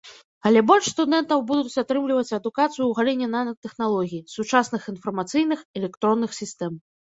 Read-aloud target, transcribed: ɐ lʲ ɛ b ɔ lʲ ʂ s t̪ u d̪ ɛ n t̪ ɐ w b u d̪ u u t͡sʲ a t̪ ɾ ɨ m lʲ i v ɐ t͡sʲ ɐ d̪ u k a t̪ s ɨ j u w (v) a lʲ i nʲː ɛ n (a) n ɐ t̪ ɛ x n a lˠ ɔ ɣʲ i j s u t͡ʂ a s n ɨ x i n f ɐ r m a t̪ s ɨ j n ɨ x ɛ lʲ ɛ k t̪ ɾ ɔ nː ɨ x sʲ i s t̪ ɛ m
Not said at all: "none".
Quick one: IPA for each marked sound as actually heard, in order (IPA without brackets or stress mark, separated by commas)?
ɣ, a